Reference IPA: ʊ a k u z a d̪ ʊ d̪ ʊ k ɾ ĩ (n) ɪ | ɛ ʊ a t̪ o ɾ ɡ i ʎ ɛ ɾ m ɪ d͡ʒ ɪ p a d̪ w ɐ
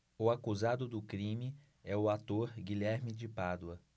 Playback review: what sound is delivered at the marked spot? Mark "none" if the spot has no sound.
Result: m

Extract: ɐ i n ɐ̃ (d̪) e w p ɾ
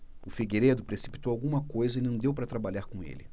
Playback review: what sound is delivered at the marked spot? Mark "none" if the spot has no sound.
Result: d̪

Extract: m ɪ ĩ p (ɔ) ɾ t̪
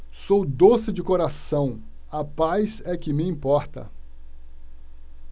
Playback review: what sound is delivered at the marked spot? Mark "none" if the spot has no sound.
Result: ɔ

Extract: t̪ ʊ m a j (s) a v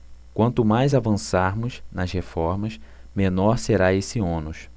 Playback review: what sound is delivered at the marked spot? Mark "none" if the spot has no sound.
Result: z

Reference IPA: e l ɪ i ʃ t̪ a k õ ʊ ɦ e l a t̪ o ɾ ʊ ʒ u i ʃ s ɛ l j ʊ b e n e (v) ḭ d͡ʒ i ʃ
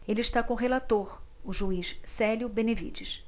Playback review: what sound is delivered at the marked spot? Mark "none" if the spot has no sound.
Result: v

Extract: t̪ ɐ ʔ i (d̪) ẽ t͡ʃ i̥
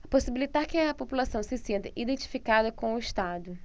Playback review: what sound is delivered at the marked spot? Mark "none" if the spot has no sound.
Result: d̪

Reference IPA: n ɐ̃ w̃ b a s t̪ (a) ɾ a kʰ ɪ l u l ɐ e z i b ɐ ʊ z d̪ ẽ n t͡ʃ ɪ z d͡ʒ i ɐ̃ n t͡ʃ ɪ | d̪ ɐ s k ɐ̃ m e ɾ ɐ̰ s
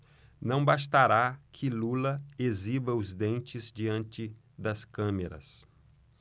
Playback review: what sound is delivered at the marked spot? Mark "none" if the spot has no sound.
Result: a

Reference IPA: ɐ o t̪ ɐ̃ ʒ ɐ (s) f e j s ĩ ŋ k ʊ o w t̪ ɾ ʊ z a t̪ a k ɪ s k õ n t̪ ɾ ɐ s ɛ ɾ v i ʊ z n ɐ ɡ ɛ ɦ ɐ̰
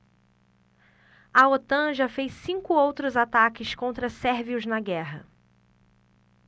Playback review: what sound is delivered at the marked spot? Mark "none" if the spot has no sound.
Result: none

